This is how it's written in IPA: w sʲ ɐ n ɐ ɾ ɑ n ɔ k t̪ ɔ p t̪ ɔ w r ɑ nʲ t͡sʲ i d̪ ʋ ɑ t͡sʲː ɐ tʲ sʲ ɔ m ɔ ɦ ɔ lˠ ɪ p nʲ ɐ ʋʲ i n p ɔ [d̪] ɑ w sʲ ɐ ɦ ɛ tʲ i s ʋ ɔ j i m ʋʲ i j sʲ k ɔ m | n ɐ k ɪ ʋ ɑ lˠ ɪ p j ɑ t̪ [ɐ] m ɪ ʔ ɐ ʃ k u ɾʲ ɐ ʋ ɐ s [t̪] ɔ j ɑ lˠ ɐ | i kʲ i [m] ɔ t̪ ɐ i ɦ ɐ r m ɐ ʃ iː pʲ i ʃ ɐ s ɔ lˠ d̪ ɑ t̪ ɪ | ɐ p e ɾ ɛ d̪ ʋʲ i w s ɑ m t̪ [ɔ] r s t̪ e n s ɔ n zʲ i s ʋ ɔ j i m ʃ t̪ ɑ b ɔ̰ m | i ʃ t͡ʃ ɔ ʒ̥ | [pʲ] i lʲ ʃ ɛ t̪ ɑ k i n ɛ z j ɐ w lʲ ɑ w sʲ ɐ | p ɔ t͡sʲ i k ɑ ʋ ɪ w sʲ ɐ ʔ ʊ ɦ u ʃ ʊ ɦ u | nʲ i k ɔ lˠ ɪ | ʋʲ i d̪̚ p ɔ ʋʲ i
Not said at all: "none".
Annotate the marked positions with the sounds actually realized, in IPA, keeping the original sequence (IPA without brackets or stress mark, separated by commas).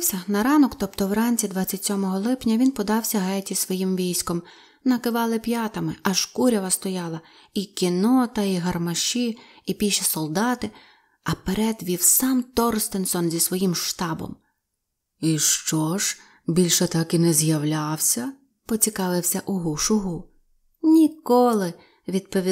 d̪, ɐ, t̪, n, ɔ, bʲ